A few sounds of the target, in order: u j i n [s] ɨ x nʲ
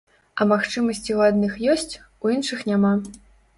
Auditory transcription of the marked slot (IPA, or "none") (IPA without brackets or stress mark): ʂ